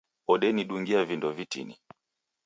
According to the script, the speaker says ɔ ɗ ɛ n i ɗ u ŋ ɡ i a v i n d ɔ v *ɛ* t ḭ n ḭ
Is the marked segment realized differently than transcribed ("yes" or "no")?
yes